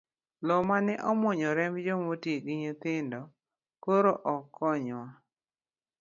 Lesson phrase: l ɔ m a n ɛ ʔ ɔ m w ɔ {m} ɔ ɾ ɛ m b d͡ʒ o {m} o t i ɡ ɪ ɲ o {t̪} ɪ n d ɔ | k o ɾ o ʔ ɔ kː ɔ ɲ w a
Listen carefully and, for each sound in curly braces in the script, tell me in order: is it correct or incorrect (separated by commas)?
incorrect, correct, correct